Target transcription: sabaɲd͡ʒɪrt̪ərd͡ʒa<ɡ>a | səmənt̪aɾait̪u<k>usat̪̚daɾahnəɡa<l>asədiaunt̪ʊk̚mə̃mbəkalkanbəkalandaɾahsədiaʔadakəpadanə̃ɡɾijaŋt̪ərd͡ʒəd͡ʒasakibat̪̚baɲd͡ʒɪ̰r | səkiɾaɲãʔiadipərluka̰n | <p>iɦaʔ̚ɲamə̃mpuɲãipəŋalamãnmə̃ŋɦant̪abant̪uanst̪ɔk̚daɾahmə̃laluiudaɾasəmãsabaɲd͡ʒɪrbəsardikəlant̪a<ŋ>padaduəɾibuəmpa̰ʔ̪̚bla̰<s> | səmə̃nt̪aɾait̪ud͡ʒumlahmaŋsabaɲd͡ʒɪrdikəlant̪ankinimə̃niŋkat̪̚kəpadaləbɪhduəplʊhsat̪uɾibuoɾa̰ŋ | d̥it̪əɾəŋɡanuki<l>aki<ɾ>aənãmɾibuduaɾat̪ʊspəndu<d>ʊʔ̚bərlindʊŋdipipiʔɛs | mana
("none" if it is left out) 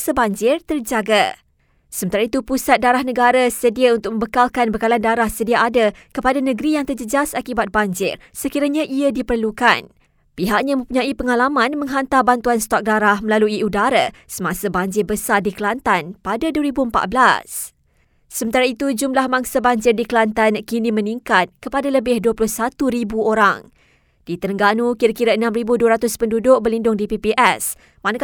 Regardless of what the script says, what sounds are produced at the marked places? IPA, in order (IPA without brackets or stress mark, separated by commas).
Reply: ɡ, p, ɾ, p, n, s, ɾ, ɾ, d